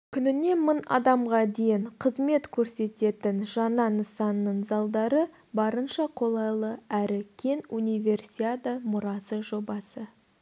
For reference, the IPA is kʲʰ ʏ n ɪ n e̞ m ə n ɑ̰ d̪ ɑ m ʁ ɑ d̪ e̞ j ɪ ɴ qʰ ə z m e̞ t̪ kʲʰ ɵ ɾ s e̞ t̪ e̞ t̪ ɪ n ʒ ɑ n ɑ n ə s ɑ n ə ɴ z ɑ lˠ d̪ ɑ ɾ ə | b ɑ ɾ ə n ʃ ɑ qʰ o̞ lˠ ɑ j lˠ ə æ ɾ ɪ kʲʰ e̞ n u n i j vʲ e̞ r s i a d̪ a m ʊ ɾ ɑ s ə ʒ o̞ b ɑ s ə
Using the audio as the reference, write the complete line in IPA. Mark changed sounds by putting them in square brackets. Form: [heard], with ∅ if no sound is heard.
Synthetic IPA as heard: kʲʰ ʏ n ɪ n e̞ m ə n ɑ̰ d̪ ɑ m ʁ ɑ d̪ e̞ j ɪ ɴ qʰ ə z m e̞ t̪ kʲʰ ɵ ɾ s e̞ t̪ e̞ t̪ ɪ n ʒ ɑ n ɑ n ə s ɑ [nː] ə ɴ z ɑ lˠ d̪ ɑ ɾ ə | b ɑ ɾ ə n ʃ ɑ qʰ o̞ lˠ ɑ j lˠ ə æ ɾ ɪ kʲʰ e̞ n u n i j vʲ e̞ r s i a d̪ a m ʊ ɾ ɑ s ə ʒ o̞ b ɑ s ə